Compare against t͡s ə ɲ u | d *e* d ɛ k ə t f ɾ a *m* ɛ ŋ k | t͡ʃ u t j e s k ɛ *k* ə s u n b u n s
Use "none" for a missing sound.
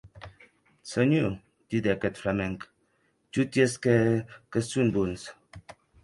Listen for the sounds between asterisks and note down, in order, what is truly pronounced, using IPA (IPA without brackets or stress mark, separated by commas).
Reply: i, m, k